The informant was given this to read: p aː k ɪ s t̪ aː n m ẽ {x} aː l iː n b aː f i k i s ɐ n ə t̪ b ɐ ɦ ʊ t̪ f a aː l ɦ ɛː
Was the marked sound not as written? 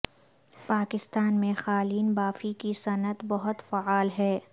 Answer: no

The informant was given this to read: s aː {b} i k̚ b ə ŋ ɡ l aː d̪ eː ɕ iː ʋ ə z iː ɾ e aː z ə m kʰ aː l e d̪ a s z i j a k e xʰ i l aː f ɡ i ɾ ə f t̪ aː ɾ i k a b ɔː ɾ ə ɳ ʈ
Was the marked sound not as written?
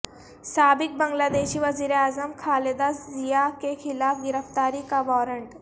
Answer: no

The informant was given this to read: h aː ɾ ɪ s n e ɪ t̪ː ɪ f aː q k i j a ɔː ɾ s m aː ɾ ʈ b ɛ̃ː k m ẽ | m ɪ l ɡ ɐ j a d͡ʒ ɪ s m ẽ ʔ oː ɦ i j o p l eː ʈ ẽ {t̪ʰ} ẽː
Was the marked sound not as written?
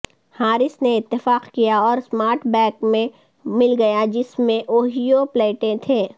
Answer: no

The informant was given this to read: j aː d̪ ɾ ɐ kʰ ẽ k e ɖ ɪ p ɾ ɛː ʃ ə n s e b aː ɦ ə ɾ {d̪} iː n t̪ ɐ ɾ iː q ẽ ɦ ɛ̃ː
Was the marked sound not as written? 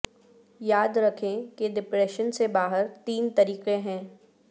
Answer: yes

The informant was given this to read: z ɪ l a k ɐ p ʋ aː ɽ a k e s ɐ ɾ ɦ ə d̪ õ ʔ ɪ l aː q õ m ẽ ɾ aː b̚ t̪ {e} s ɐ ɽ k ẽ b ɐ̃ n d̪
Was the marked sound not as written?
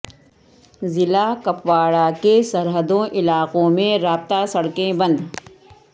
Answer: yes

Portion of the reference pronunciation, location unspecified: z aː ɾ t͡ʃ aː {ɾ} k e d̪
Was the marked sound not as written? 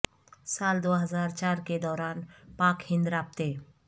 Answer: no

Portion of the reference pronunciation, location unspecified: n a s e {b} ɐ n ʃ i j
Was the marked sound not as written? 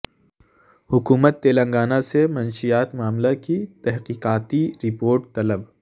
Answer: yes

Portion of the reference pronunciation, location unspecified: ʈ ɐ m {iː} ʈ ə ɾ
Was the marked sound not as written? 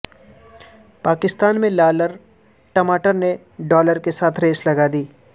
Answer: yes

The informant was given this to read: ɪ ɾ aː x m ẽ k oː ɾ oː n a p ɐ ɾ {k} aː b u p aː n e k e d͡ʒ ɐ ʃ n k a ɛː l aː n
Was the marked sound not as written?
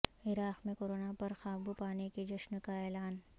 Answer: yes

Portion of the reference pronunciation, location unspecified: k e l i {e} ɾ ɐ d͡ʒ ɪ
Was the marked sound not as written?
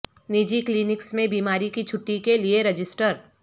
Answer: no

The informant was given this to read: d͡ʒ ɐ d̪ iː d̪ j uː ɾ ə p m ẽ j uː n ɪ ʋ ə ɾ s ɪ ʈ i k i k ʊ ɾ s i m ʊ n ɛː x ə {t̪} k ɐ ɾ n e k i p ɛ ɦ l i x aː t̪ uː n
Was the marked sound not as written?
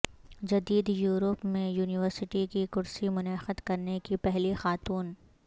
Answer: yes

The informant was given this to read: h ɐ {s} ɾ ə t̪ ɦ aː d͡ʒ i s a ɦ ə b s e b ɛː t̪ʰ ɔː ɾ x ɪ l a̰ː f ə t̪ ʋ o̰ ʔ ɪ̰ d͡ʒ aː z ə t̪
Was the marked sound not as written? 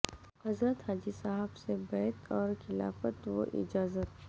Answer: yes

